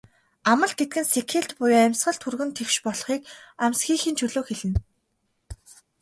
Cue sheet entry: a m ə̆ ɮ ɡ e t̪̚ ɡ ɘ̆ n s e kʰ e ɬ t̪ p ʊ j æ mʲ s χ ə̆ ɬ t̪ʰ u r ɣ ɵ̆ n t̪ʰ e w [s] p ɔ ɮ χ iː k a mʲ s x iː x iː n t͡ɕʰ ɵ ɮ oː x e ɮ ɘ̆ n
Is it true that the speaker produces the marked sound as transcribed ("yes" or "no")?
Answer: no